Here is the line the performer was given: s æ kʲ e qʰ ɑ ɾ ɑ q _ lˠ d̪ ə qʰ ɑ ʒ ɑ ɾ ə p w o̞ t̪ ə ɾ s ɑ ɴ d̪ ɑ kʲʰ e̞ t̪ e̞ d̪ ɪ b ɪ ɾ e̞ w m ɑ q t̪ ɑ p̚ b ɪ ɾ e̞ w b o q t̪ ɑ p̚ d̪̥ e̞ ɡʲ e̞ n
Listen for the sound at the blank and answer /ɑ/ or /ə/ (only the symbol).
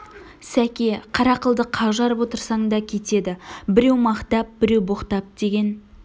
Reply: ə